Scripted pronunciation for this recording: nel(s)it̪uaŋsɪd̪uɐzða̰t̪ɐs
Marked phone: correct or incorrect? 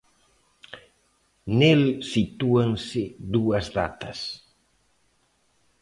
correct